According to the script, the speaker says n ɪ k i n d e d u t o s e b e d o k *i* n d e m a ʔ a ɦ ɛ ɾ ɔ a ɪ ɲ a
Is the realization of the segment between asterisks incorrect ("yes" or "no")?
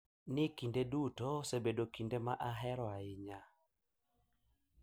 no